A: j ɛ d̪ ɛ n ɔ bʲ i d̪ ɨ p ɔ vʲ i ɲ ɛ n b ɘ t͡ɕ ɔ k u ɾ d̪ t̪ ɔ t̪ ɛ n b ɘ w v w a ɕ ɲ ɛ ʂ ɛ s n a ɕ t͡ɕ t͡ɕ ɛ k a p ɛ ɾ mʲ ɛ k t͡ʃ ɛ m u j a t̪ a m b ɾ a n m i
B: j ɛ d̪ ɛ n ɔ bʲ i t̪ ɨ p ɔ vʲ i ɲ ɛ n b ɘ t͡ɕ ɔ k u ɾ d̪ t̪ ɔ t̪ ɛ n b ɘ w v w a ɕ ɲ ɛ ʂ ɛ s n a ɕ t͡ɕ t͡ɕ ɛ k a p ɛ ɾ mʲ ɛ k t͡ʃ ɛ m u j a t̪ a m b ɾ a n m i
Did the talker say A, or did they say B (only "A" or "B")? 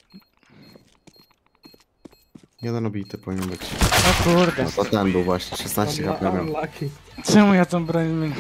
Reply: B